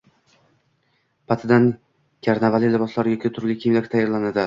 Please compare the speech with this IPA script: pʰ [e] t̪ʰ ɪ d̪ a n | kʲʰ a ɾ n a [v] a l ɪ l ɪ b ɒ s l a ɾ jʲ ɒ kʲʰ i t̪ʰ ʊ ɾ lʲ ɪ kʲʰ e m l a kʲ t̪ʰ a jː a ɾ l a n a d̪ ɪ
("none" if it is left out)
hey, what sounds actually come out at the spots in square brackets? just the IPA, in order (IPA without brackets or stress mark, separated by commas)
a, v